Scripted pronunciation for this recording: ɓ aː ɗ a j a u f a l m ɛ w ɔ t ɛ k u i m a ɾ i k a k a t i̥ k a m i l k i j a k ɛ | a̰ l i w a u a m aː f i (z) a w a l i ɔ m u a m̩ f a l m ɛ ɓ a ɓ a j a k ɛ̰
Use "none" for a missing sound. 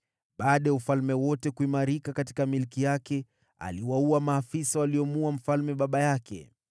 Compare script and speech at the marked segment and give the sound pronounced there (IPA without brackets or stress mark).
s